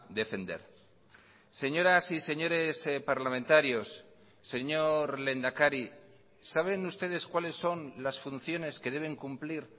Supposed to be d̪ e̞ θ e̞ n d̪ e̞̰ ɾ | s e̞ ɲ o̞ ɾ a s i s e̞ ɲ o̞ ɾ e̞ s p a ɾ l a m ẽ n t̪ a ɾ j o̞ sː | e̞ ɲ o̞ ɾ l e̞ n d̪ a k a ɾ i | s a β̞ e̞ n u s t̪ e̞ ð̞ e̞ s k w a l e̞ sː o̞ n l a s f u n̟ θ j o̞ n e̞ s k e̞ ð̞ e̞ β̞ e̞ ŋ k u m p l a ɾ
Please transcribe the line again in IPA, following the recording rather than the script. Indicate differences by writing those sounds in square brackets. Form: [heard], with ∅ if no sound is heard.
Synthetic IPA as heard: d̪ e̞ [f] e̞ n d̪ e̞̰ ɾ | s e̞ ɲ o̞ ɾ a s i s e̞ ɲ o̞ ɾ e̞ s p a ɾ l a m ẽ n t̪ a ɾ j o̞ sː | e̞ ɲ o̞ ɾ l e̞ n d̪ a k a ɾ i | s a β̞ e̞ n u s t̪ e̞ ð̞ e̞ s k w a l e̞ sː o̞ n l a s f u n̟ θ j o̞ n e̞ s k e̞ ð̞ e̞ β̞ e̞ ŋ k u m p l [i] ɾ